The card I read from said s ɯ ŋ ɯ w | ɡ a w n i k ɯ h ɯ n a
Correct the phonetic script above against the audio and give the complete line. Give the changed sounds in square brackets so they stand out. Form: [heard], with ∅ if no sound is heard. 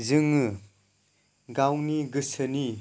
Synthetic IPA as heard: [z] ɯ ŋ ɯ [∅] | ɡ a w n i [ɡ] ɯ [s] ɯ n [i]